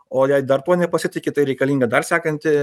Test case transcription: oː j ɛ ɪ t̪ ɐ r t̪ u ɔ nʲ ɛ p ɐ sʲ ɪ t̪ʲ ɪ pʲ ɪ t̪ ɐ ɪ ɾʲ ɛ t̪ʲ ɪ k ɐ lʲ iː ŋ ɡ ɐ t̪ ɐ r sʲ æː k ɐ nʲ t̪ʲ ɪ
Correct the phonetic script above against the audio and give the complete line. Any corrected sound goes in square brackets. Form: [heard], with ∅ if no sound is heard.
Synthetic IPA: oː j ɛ ɪ [d̪] ɐ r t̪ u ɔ nʲ ɛ p ɐ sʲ ɪ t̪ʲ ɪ [kʲ] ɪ t̪ ɐ ɪ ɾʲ ɛ [∅] ɪ k ɐ lʲ iː ŋ ɡ ɐ [d̪] ɐ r sʲ æː k ɐ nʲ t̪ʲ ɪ